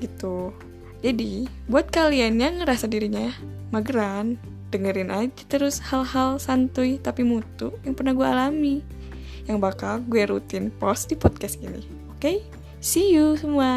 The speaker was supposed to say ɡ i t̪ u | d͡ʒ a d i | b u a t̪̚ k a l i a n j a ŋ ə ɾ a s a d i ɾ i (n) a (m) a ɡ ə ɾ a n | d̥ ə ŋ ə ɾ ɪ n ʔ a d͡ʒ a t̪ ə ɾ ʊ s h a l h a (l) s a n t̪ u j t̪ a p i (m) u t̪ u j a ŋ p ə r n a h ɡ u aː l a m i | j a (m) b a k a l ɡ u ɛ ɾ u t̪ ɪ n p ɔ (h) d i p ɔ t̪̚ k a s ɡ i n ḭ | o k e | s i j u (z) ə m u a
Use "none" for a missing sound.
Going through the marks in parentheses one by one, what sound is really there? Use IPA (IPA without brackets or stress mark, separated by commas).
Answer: ɲ, m, l, m, ŋ, s, s